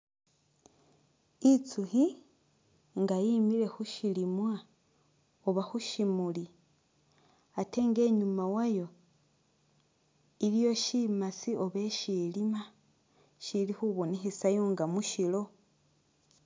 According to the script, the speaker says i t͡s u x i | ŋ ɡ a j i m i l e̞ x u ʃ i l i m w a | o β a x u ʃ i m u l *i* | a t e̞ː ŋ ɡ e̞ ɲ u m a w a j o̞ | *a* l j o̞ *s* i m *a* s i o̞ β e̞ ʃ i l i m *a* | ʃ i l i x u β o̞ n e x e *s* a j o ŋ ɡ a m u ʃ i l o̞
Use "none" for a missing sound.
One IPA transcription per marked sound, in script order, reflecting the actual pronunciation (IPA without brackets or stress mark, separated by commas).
i, i, ʃ, a, a, s